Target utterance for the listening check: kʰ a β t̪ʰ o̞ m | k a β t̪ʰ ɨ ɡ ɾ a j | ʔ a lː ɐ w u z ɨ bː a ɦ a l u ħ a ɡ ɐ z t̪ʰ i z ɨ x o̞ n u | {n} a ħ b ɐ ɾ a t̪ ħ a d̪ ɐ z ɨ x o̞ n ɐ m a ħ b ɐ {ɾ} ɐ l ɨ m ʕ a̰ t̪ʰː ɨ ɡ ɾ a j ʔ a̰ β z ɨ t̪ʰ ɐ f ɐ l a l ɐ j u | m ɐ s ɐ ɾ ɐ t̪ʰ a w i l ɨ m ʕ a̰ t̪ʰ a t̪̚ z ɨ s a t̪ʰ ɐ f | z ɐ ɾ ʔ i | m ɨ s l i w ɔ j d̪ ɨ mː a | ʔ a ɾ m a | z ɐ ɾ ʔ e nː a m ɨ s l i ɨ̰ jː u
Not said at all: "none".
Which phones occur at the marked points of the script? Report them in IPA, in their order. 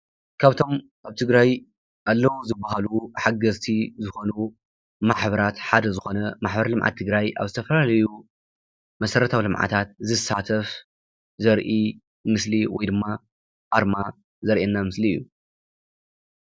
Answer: m, ɾ

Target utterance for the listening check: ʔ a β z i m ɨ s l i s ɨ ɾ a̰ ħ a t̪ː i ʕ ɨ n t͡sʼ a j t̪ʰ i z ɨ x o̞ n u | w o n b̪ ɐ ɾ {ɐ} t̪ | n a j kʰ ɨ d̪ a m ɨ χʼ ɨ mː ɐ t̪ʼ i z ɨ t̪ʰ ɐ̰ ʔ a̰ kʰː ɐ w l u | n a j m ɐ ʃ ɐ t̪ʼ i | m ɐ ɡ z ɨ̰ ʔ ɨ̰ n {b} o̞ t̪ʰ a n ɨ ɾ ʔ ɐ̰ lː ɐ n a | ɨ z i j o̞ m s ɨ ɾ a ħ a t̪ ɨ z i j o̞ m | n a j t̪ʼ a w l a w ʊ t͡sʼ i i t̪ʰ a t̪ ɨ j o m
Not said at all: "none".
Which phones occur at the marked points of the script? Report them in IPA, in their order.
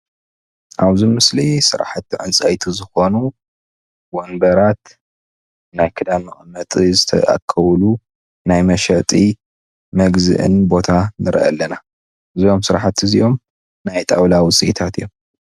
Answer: a, b

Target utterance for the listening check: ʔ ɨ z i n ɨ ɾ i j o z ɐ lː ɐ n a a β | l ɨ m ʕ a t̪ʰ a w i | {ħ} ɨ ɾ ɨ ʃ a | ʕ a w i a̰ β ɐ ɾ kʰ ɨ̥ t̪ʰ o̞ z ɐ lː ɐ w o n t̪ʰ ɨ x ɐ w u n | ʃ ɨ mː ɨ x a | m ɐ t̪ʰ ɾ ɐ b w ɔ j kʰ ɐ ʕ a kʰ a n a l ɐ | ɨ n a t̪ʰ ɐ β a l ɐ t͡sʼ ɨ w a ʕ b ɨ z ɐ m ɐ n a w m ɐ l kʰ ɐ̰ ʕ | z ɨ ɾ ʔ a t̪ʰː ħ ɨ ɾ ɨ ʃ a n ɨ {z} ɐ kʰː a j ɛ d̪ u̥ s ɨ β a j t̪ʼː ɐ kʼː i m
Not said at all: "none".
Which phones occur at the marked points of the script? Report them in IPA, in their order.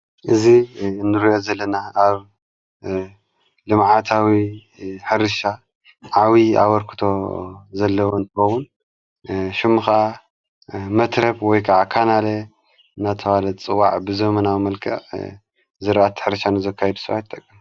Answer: ħ, z

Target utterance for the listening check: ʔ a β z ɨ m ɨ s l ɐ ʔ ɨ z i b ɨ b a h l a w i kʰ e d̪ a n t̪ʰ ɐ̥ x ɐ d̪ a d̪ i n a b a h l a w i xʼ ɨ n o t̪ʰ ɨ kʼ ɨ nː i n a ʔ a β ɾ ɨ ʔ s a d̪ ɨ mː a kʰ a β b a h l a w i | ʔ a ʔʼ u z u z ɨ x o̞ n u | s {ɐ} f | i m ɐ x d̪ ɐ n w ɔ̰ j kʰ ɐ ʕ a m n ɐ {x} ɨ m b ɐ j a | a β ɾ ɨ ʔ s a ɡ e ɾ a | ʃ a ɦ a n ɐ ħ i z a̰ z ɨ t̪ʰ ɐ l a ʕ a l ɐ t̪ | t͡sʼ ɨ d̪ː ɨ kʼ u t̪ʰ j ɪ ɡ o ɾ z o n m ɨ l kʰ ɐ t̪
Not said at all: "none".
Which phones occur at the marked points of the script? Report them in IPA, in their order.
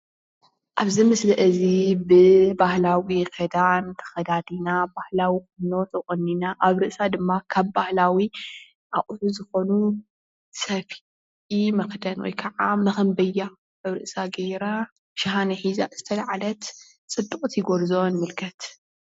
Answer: ɐ, x

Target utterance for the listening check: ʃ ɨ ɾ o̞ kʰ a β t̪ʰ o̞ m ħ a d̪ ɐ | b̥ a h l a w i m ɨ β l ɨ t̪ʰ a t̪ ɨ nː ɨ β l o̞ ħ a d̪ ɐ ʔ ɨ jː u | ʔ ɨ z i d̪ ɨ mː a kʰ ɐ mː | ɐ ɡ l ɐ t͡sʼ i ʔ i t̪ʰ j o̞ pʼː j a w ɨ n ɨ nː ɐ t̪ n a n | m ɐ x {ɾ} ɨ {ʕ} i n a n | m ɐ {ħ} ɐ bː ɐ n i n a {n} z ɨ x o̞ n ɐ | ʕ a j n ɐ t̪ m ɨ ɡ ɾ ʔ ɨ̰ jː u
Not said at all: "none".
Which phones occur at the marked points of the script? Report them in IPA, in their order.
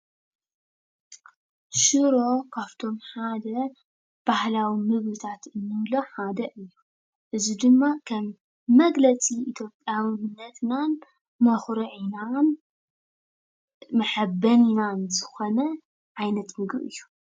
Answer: ɾ, ʕ, ħ, n

